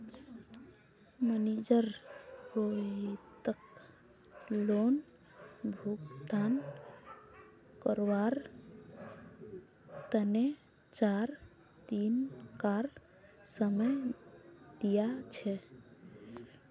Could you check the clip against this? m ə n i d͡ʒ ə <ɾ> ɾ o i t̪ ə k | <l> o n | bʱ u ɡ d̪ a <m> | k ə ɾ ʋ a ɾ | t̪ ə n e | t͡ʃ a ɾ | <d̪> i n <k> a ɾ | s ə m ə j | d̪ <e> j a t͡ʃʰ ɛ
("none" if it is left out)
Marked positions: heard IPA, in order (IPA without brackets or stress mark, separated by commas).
ɾ, l, n, t̪, k, i